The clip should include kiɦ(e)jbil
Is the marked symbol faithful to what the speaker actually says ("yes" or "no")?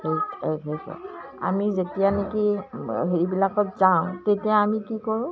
yes